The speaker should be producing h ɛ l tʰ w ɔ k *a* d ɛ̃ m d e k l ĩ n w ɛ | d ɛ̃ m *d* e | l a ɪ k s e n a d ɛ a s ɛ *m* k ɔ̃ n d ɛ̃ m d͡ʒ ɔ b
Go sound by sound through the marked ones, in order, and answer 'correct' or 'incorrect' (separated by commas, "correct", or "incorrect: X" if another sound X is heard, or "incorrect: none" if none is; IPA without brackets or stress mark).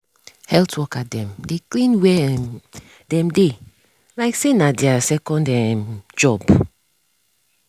correct, correct, incorrect: none